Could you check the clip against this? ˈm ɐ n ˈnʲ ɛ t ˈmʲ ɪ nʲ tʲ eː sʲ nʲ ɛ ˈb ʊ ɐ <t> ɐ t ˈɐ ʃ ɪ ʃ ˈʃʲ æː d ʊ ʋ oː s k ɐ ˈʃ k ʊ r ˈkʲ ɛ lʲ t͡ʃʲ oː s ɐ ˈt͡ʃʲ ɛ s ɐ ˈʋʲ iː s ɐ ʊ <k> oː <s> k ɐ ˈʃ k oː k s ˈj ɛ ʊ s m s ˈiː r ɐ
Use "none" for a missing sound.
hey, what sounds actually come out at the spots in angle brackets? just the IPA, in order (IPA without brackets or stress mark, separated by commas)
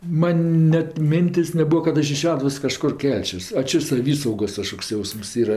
k, ɡ, s